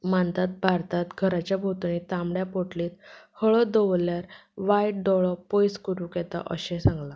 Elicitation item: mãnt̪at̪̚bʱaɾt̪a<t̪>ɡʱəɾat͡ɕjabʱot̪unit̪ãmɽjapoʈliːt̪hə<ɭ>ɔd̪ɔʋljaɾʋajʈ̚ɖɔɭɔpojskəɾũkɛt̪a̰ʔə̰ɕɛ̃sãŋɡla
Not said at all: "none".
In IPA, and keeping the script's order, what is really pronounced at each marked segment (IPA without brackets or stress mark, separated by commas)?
t̪, ɭ